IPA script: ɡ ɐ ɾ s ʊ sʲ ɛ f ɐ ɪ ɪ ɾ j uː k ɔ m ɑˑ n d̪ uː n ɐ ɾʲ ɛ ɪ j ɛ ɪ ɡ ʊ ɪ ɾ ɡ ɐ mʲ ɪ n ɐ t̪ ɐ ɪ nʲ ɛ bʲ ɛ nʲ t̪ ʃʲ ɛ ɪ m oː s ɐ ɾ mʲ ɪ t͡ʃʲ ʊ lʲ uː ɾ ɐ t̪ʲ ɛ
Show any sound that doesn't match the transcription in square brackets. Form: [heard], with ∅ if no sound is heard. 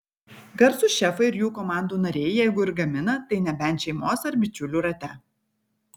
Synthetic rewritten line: ɡ ɐ ɾ s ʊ [ʃʲ] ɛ f ɐ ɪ ɪ ɾ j uː k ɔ m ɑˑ n d̪ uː n ɐ ɾʲ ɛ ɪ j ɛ ɪ ɡ ʊ ɪ ɾ ɡ ɐ mʲ ɪ n ɐ t̪ ɐ ɪ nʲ ɛ bʲ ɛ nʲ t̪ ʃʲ ɛ ɪ m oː s ɐ ɾ [bʲ] ɪ t͡ʃʲ ʊ lʲ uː ɾ ɐ t̪ʲ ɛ